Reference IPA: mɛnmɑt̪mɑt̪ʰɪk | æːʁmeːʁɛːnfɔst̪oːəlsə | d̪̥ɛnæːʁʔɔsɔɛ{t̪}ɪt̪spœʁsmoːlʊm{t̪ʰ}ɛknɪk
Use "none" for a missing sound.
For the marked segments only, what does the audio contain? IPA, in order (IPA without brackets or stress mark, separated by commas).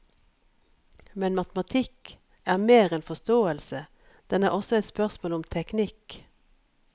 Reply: none, t̪ʰ